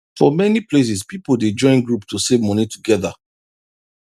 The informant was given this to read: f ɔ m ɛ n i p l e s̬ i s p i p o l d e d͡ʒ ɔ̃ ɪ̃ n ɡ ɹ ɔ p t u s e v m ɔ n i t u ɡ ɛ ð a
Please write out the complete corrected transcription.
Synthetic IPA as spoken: f ɔ m ɛ n i p l e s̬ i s p i p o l d e d͡ʒ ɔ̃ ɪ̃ n ɡ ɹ u p t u s e v m ɔ n i t u ɡ ɛ ð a